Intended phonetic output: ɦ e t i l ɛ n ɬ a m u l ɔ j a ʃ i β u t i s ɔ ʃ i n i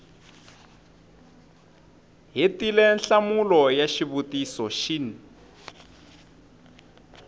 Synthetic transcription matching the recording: ɦ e t i l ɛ n ɬ a m u l ɔ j a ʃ i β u t i s ɔ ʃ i n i